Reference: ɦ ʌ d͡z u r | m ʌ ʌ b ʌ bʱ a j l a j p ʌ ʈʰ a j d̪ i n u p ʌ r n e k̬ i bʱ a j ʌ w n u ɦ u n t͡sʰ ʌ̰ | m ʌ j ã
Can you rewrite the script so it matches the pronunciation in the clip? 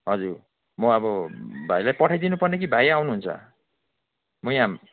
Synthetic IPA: ɦ ʌ d͡z u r | m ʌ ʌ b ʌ bʱ a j l a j p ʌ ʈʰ a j d̪ i n u p ʌ r n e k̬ i bʱ a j a w n u ɦ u n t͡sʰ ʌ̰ | m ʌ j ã